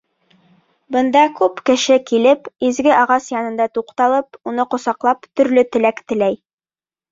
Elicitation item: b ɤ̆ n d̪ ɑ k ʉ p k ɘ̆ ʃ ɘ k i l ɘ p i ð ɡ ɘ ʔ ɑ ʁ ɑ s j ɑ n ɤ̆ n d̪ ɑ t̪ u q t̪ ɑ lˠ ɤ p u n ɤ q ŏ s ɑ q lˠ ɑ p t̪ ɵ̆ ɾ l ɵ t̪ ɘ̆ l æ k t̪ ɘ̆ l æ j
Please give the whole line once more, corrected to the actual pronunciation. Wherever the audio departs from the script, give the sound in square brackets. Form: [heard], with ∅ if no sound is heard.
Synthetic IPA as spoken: b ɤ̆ n d̪ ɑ k ʉ p k ɘ̆ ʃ ɘ k i l ɘ p i [z] ɡ ɘ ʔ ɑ ʁ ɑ s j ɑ n ɤ̆ n d̪ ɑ t̪ u q t̪ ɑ lˠ ɤ p u n ɤ q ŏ s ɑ q lˠ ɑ p t̪ ɵ̆ ɾ l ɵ t̪ ɘ̆ l æ k t̪ ɘ̆ l æ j